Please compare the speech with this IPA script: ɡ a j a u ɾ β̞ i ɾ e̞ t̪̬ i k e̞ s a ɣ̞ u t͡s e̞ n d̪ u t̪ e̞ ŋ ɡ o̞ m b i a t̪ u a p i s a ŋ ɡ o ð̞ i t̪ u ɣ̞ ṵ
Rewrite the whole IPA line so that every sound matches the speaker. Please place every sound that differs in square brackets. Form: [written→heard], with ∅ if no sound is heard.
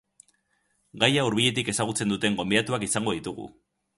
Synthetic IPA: ɡ a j a u ɾ β̞ i [ɾ→ʎ] e̞ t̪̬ i k e̞ s a ɣ̞ u t͡s e̞ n d̪ u t̪ e̞ ŋ ɡ o̞ m b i a t̪ u a [p→k] i s a ŋ ɡ o ð̞ i t̪ u ɣ̞ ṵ